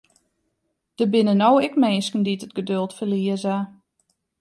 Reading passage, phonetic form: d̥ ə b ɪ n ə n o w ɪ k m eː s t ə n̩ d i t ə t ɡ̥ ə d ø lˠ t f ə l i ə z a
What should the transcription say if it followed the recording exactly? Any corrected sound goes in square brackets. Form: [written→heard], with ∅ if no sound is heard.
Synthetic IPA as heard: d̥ ə b ɪ n ə n o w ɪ k m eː s [t→k] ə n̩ d i t ə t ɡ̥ ə d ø lˠ t f ə l i ə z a